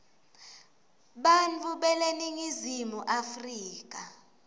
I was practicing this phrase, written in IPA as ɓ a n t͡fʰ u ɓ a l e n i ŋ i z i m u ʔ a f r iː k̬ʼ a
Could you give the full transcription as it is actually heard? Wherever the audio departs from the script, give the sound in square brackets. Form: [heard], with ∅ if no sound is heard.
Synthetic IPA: ɓ a n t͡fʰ u ɓ [ɛ] l e n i ŋ i z i m u ʔ a f r iː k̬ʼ a

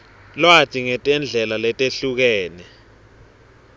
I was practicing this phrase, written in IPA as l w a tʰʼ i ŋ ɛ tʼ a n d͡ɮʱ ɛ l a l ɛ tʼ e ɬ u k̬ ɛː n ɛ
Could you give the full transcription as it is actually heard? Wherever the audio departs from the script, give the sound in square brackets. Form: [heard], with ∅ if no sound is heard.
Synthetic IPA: l w a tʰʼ i ŋ ɛ tʼ [ɛ] n d͡ɮʱ ɛ l a l ɛ tʼ e ɬ u k̬ ɛː n ɛ

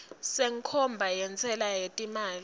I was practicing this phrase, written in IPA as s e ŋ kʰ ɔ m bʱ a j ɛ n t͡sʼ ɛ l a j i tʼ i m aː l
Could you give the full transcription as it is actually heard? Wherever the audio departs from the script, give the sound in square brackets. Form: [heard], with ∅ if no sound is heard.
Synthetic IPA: s e ŋ kʰ ɔ m bʱ a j ɛ n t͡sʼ ɛ l a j [e] tʼ i m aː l

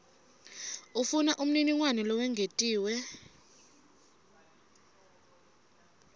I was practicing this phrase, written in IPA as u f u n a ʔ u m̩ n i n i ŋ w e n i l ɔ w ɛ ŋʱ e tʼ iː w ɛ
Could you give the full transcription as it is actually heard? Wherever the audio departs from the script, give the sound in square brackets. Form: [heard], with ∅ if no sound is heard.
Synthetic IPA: u f u n a ʔ u m̩ n i n i ŋ w [a] n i l ɔ w ɛ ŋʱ e tʼ iː w ɛ

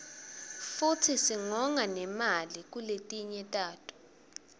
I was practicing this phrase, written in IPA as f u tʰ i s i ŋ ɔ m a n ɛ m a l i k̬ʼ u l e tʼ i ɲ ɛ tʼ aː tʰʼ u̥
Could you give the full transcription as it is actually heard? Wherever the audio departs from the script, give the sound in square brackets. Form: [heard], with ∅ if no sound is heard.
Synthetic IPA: f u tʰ i s i ŋ ɔ [ŋ] a n ɛ m a l i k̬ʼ u l e tʼ i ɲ ɛ tʼ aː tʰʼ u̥

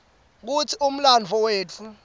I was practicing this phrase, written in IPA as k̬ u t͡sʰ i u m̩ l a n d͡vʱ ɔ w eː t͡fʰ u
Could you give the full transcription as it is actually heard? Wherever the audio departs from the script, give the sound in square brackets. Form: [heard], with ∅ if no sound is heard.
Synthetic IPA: k̬ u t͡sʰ i u m̩ l a n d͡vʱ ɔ w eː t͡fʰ u

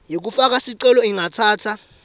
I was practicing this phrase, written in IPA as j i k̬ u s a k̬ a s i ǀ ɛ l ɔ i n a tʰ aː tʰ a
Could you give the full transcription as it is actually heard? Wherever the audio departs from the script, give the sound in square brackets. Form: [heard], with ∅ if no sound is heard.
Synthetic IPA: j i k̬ u [f] a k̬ a s i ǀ ɛ l ɔ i [ŋ] a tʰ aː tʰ a

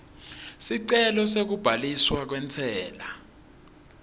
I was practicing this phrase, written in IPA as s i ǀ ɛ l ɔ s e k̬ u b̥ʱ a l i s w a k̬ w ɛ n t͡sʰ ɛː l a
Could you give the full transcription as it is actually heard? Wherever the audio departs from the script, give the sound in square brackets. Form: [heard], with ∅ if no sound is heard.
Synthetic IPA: s i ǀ ɛ l ɔ s e k̬ u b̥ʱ a l i s w a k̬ w ɛ n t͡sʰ ɛː l a

